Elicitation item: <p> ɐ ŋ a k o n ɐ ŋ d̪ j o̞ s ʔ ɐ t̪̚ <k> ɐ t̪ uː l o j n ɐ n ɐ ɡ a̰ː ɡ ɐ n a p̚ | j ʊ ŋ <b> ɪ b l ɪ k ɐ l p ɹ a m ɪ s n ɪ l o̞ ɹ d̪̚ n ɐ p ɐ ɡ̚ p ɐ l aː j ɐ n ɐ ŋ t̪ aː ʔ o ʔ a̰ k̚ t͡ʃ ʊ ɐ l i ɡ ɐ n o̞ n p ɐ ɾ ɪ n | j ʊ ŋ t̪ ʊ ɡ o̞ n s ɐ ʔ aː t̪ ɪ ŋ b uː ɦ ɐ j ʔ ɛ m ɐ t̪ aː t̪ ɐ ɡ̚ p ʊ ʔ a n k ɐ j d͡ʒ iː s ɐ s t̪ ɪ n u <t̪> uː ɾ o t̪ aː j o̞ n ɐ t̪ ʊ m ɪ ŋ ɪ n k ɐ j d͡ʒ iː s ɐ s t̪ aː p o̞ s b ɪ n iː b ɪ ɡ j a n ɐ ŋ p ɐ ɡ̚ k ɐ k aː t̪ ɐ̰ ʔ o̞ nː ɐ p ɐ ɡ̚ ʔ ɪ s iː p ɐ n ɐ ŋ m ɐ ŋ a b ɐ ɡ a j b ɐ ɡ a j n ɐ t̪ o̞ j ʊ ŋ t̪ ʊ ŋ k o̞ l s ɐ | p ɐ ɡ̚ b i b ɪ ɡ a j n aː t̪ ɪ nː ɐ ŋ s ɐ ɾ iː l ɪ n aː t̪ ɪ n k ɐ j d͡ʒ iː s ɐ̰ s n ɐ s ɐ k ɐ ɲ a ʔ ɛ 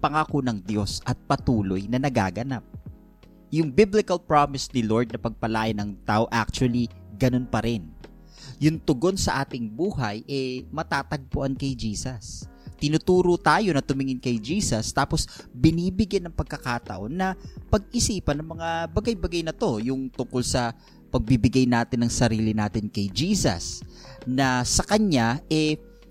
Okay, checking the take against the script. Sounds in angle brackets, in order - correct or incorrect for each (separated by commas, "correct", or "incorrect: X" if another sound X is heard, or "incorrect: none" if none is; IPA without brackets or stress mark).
correct, incorrect: p, correct, correct